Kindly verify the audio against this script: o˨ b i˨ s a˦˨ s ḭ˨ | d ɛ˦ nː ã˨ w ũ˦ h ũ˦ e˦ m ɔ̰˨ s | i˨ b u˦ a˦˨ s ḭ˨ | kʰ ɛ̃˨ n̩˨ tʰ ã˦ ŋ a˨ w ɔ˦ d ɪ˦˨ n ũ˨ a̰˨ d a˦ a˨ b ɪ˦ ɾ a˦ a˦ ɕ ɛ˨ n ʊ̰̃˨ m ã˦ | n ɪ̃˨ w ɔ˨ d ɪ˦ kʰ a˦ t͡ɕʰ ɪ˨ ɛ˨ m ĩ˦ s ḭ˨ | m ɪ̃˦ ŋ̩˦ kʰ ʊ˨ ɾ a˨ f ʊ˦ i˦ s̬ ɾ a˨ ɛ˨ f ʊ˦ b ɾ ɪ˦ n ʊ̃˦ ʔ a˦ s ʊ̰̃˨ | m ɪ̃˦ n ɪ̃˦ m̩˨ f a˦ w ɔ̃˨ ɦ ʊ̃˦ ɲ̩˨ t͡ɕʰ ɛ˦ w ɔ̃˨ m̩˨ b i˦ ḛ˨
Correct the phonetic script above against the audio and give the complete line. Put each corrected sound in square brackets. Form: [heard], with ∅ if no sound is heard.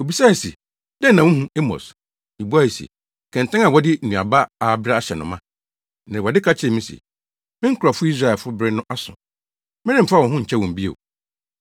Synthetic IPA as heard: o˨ b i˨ s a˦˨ s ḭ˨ | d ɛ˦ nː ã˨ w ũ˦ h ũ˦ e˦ m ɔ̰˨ s | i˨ b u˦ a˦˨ s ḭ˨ | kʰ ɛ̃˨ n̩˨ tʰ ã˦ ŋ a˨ w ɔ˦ d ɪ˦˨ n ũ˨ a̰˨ [b] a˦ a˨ b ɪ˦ ɾ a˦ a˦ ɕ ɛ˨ n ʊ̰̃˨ m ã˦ | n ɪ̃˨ w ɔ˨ d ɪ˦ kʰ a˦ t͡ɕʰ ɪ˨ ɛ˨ m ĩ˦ s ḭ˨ | m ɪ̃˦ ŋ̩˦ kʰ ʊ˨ ɾ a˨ f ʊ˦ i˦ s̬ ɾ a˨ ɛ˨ f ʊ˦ b ɾ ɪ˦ n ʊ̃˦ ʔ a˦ s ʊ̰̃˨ | m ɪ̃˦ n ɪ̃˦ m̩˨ f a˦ w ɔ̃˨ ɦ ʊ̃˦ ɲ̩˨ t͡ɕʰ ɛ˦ w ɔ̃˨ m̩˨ b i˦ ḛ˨